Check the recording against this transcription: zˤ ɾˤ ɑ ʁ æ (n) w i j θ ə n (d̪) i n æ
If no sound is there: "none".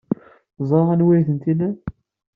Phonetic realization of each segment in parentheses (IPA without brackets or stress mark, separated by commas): n, t̪